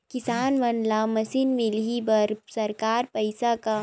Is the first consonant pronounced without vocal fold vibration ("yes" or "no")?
yes